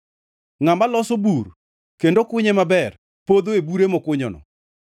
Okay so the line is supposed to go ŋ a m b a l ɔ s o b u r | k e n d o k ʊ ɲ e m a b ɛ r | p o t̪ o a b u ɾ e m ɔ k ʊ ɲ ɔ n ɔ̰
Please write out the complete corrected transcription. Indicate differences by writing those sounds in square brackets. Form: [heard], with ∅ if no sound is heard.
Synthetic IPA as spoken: ŋ a m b a l ɔ s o b u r | k e n d o k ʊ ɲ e m a b ɛ r | p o [d̪] o [e] b u ɾ e m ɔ k ʊ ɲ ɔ n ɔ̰